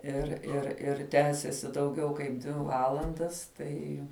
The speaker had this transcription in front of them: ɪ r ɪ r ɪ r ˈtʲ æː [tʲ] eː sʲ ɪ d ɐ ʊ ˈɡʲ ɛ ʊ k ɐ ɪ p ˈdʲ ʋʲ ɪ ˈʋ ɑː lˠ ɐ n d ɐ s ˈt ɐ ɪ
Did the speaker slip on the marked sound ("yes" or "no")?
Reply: yes